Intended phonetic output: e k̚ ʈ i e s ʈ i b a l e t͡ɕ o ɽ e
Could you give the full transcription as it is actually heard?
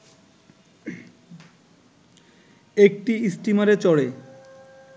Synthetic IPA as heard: e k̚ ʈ i i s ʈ i m a ɾ e t͡ɕ ɔ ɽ e